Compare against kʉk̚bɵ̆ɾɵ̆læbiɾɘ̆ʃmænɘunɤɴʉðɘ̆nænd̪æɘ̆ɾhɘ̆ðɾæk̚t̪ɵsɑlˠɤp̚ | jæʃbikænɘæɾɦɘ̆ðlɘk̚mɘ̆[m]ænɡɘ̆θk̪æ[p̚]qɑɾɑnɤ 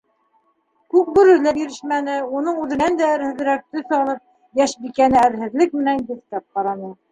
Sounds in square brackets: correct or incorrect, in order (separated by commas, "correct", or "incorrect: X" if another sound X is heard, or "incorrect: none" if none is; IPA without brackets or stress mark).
incorrect: n, correct